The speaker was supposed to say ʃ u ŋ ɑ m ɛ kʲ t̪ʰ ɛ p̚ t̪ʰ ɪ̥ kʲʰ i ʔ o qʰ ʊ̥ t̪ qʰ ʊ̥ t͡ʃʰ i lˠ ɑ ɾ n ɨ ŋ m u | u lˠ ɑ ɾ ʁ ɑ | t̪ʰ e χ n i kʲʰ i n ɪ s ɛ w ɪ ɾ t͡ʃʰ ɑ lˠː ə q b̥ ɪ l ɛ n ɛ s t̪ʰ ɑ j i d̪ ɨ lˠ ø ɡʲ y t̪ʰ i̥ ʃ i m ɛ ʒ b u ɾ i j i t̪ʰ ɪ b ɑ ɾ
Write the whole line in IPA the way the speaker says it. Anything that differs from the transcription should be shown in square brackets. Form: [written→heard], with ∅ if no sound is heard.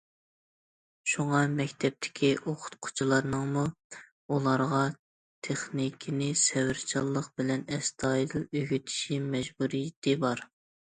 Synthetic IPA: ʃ u ŋ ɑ m ɛ kʲ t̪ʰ ɛ p̚ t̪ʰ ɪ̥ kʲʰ i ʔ o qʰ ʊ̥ t̪ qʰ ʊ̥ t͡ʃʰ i lˠ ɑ ɾ n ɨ ŋ m u | u lˠ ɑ ɾ ʁ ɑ | t̪ʰ e χ n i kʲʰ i n ɪ s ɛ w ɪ ɾ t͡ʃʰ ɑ lˠː ə q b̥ ɪ l ɛ n ɛ s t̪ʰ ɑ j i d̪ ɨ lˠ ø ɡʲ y t̪ʰ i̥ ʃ i m ɛ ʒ b u ɾ i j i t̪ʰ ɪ b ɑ ɾ